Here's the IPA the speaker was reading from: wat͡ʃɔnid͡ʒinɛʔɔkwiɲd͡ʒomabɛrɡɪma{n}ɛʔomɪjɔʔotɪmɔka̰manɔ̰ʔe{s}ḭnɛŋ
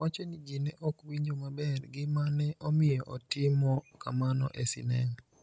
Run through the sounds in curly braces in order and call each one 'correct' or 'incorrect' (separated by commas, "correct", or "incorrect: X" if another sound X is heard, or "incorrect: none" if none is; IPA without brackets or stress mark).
correct, correct